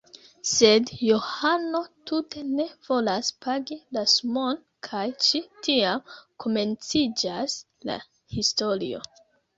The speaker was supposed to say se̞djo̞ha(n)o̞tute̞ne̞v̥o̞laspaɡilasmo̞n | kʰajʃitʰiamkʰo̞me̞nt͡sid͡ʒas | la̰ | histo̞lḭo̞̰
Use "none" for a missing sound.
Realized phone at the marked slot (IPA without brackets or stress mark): n